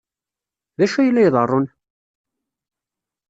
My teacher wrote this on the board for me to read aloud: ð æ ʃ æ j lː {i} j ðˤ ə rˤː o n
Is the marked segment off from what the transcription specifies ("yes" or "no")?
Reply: yes